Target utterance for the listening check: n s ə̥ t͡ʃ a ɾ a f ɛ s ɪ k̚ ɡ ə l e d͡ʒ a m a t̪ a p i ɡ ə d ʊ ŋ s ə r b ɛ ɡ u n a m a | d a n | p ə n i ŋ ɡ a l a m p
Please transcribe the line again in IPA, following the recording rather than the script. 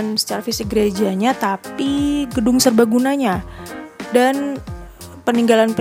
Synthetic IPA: n s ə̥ t͡ʃ a ɾ a f i s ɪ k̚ ɡ ə ɾ e d͡ʒ a ɲ a t̪ a p i ɡ ə d ʊ ŋ s ə r b a ɡ u n a ɲ a | d a n | p ə n i ŋ ɡ a l a n p